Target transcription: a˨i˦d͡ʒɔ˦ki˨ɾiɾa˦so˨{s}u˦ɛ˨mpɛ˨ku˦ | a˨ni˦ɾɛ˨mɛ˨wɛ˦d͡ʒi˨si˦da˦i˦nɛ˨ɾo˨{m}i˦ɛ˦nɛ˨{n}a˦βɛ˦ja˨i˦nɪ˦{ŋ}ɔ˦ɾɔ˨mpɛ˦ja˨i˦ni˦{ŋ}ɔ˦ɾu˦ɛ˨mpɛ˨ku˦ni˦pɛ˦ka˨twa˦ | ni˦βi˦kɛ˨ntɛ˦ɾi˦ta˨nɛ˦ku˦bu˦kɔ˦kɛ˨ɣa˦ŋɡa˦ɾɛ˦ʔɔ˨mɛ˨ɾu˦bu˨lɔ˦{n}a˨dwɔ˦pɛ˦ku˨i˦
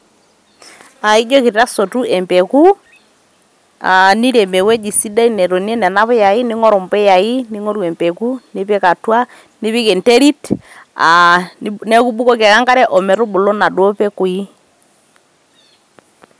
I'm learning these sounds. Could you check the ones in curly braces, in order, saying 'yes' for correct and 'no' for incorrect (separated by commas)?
no, no, yes, yes, yes, yes